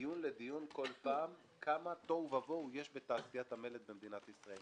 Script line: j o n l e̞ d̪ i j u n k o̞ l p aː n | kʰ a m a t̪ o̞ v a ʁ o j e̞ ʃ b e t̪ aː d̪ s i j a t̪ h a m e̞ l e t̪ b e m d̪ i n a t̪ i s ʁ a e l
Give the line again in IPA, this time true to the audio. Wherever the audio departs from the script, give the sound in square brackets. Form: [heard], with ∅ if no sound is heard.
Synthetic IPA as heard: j [u] n l e̞ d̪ i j u n k o̞ l p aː [m] | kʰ a m a t̪ o̞ v a [v] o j e̞ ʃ b e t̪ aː [∅] s i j a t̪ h a m e̞ l e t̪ b e m d̪ i n a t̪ i s ʁ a e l